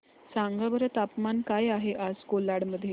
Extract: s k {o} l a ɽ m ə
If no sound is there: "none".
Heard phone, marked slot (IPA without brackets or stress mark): o